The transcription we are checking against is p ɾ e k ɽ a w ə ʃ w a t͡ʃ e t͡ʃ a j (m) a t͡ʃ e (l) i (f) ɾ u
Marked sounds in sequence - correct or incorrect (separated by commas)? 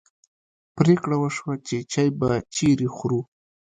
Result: incorrect, incorrect, incorrect